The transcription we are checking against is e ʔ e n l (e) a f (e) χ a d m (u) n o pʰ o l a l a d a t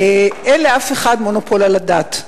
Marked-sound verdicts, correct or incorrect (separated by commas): correct, correct, incorrect